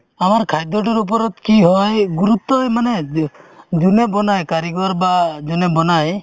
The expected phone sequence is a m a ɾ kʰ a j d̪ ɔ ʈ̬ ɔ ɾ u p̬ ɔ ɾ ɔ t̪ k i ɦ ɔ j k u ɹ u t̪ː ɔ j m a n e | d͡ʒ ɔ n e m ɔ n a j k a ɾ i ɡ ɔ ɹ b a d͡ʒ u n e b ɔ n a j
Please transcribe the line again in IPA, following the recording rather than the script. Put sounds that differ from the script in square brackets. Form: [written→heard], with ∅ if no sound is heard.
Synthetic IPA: a m a ɾ kʰ a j d̪ ɔ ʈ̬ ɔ ɾ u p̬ ɔ ɾ ɔ t̪ k i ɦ ɔ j [k→ɡ] u [ɹ→ɾ] u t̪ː ɔ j m a n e | d͡ʒ [ɔ→u] n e [m→b] ɔ n a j k a ɾ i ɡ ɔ [ɹ→ɾ] b a d͡ʒ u n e b ɔ n a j